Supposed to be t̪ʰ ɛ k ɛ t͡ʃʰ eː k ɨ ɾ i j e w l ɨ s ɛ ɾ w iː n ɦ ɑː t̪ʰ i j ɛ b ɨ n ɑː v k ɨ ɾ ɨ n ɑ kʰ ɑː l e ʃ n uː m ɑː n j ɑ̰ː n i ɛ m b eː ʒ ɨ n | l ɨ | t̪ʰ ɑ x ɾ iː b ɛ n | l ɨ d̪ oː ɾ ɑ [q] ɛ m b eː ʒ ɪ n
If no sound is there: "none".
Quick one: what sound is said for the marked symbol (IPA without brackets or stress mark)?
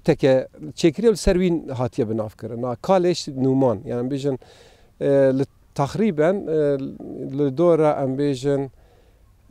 ʔ